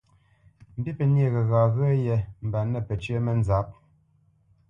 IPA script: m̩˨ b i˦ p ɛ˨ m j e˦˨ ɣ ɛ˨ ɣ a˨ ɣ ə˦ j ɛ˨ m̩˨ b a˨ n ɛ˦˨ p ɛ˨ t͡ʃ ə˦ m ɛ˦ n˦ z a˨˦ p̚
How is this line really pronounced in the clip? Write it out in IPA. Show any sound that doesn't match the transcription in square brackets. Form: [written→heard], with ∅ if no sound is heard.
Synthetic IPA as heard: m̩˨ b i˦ p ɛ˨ [m→n] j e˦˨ ɣ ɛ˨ ɣ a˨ ɣ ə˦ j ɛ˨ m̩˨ b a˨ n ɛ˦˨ p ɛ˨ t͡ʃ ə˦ m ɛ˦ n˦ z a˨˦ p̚